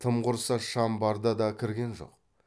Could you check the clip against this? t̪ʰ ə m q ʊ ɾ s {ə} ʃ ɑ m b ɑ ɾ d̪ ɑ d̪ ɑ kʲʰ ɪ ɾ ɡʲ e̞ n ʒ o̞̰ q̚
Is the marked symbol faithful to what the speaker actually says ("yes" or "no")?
no